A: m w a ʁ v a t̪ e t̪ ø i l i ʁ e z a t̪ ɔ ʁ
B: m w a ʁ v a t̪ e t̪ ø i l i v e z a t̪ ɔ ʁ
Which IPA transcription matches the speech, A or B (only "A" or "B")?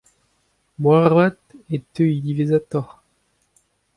B